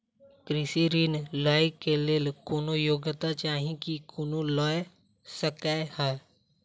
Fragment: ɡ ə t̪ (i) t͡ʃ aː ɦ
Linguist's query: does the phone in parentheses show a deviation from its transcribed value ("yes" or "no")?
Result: yes